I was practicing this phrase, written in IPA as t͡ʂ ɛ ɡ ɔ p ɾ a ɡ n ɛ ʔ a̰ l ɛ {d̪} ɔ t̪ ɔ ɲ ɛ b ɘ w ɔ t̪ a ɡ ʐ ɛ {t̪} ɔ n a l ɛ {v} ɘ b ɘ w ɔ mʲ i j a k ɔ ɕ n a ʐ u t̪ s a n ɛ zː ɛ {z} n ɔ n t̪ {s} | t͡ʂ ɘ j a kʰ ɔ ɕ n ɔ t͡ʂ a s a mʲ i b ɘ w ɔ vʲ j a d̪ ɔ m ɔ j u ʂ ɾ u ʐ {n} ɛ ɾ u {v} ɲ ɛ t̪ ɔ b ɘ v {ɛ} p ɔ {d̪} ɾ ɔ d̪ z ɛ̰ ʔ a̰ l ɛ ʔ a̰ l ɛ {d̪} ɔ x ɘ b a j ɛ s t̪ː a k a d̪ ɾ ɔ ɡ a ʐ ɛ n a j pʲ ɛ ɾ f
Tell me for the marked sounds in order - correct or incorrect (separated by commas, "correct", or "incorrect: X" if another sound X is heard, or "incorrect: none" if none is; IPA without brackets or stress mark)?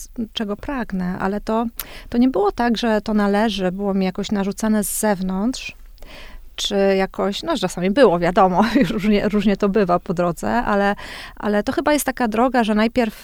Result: incorrect: t̪, correct, incorrect: ʐ, incorrect: v, incorrect: ʂ, incorrect: ɲ, incorrect: ʐ, incorrect: a, correct, incorrect: t̪